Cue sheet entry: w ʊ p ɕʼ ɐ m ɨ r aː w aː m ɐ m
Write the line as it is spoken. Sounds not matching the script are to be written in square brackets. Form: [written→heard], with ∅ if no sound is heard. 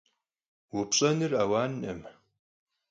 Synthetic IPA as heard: w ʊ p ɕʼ ɐ [m→n] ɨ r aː w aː [m→n] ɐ m